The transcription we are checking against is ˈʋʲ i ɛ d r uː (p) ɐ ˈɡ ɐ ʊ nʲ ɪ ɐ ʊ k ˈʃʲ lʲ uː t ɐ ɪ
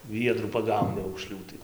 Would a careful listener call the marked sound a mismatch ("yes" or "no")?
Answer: no